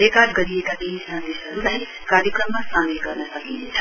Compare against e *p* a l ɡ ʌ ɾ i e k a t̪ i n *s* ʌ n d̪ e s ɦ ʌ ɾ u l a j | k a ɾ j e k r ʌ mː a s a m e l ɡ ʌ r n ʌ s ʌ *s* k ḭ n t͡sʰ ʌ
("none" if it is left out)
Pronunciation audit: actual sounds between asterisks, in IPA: k, s, none

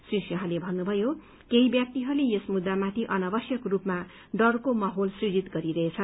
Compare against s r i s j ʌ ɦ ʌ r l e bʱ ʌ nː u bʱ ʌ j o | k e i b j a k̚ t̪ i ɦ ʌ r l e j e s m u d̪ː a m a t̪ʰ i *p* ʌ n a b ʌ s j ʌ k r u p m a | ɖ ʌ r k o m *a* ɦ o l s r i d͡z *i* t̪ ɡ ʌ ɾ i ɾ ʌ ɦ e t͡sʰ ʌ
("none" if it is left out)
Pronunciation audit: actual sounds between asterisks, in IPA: ʔ, ʌ, i

